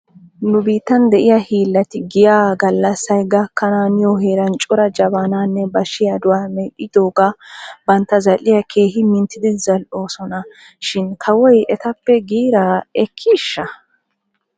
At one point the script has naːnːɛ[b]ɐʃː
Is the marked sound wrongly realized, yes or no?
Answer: no